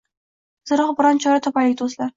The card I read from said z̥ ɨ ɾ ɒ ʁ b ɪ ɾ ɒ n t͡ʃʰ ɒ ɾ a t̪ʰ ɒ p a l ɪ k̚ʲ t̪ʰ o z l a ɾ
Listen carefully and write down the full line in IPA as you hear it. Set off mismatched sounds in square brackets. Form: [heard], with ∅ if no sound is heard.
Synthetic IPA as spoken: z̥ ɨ ɾ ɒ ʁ b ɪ ɾ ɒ n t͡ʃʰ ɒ ɾ a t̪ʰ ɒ p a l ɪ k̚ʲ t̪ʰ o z l a ɾ

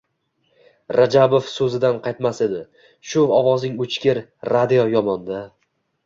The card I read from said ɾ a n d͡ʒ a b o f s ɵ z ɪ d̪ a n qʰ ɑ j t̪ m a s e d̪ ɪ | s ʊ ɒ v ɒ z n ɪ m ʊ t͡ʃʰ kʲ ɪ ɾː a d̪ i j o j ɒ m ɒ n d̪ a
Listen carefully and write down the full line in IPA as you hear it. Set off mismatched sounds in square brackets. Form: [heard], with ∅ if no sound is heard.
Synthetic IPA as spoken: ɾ a [∅] d͡ʒ a b o f s ɵ z ɪ d̪ a n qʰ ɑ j t̪ m a s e d̪ ɪ | [ʃ] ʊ ɒ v ɒ z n ɪ [ŋ] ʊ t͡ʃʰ kʲ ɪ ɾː a d̪ i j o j ɒ m ɒ n d̪ a

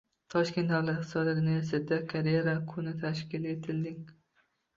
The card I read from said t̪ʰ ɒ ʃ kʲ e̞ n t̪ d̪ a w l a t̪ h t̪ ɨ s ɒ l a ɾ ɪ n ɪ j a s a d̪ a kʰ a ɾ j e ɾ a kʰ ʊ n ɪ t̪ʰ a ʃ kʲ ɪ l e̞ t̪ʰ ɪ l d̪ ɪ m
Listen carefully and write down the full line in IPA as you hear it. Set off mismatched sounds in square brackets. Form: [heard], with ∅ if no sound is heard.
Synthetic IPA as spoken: t̪ʰ ɒ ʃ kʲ e̞ n t̪ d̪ a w l a t̪ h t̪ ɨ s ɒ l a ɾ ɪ n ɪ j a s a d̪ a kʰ a ɾ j e ɾ a kʰ ʊ n ɪ t̪ʰ a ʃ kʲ ɪ l e̞ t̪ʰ ɪ l d̪ ɪ [ŋ]

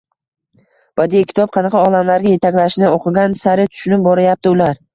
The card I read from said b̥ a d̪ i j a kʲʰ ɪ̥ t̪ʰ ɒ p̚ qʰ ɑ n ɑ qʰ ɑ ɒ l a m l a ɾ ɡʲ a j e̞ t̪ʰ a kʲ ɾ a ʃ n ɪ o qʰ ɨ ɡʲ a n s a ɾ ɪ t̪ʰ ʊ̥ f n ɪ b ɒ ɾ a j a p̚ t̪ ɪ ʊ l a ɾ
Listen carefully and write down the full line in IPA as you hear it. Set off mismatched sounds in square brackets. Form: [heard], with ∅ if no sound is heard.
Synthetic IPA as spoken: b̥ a d̪ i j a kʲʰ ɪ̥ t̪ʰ ɒ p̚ qʰ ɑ n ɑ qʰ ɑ ɒ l a m l a ɾ ɡʲ a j e̞ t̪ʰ a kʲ [l] a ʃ n ɪ o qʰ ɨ ɡʲ a n s a ɾ ɪ t̪ʰ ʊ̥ [ʃ] n ɪ b ɒ ɾ a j a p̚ t̪ ɪ ʊ l a ɾ

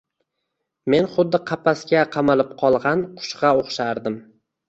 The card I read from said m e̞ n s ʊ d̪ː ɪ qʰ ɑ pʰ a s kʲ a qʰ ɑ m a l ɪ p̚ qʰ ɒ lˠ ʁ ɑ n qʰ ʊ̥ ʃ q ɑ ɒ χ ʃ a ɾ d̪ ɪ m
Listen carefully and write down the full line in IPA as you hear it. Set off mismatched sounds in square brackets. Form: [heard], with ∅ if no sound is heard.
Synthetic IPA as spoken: m e̞ n [χ] ʊ d̪ː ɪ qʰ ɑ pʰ a s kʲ a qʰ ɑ m a l ɪ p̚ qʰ ɒ lˠ ʁ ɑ n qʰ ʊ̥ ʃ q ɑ [o] χ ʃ a ɾ d̪ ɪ m

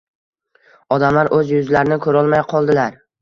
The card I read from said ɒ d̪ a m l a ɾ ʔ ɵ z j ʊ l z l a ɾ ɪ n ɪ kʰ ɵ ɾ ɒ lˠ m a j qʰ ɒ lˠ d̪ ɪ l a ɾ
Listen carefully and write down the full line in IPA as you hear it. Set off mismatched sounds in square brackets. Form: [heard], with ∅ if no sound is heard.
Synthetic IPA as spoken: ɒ d̪ a m l a ɾ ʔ ɵ z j ʊ [∅] z l a ɾ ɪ n ɪ kʰ ɵ ɾ ɒ lˠ m a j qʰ ɒ lˠ d̪ ɪ l a ɾ

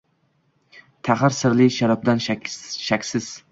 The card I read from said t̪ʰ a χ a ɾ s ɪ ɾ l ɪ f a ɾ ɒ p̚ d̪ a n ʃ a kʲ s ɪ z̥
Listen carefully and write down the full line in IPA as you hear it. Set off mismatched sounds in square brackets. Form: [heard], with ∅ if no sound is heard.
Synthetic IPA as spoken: t̪ʰ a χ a ɾ s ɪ ɾ l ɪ [ʃ] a ɾ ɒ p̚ d̪ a n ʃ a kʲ s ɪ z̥

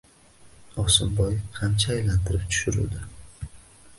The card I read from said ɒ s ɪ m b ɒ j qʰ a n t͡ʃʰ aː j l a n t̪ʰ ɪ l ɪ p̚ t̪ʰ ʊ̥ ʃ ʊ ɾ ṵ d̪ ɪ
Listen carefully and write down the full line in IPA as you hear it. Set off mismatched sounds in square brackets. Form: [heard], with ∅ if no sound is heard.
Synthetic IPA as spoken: ɒ s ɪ m b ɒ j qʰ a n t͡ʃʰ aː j l a n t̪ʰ ɪ [ɾ] ɪ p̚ t̪ʰ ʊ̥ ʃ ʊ ɾ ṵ d̪ ɪ

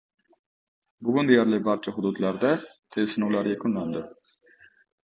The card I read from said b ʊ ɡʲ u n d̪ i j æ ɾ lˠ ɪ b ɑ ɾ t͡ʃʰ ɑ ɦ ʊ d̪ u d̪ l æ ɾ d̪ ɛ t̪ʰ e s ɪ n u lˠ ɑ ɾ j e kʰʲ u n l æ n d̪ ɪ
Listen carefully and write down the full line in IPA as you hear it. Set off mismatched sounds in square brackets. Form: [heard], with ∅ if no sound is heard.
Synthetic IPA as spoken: b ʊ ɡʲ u n d̪ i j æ ɾ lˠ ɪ b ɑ ɾ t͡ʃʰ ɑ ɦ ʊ d̪ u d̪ l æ ɾ d̪ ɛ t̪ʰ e s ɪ n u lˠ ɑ ɾ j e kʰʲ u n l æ n d̪ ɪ

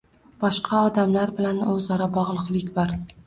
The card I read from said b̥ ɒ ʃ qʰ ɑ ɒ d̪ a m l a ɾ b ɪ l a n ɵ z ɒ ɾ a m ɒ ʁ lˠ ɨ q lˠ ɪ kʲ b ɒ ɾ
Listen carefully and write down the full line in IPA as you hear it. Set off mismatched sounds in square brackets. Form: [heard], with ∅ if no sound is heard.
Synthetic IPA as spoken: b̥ ɒ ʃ qʰ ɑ ɒ d̪ a m l a ɾ b ɪ l a n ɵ z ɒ ɾ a [b] ɒ ʁ lˠ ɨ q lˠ ɪ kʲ b ɒ ɾ

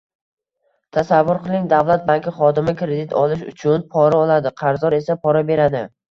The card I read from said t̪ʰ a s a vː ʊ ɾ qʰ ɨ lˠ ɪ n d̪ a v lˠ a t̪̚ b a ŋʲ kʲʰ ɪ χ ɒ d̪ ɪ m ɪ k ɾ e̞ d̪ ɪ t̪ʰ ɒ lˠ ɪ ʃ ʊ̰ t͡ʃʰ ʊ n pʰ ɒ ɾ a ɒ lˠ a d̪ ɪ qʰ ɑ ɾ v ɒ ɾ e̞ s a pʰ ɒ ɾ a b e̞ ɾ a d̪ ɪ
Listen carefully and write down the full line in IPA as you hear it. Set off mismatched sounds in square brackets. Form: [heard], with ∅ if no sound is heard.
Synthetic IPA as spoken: t̪ʰ a s a vː ʊ ɾ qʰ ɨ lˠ ɪ [ŋ] d̪ a v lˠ a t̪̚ b a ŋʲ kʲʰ ɪ χ ɒ d̪ ɪ m ɪ k ɾ e̞ d̪ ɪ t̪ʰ ɒ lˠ ɪ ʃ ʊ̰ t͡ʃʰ ʊ n pʰ ɒ ɾ a ɒ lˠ a d̪ ɪ qʰ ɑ ɾ [z] ɒ ɾ e̞ s a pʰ ɒ ɾ a b e̞ ɾ a d̪ ɪ

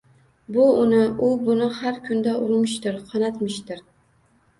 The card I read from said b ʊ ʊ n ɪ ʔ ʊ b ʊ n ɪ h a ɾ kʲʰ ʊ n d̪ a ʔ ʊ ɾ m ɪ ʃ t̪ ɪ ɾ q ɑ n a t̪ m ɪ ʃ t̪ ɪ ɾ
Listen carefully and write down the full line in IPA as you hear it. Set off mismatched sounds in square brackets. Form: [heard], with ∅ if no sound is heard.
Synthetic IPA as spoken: b ʊ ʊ n ɪ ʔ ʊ b ʊ n ɪ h a ɾ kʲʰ ʊ n d̪ a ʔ ʊ ɾ m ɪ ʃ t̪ ɪ ɾ [qʰ] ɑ n a t̪ m ɪ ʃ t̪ ɪ ɾ

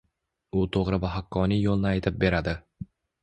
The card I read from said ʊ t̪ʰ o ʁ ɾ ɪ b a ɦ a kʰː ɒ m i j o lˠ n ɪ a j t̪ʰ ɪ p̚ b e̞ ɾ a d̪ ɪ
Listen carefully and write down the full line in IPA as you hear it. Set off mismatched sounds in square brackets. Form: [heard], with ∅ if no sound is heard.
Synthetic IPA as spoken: ʊ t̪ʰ o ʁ ɾ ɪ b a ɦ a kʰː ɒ [n] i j o lˠ n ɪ a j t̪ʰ ɪ p̚ b e̞ ɾ a d̪ ɪ

